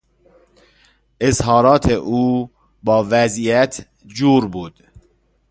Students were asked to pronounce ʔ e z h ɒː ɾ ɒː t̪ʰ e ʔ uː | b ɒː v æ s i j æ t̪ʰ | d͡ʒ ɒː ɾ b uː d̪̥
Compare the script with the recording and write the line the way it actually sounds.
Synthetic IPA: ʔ e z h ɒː ɾ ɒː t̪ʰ e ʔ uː | b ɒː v æ z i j æ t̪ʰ | d͡ʒ uː ɾ b uː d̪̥